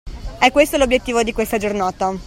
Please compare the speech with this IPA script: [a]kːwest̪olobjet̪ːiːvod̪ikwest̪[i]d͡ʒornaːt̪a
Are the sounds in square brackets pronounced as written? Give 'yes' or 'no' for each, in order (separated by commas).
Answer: no, no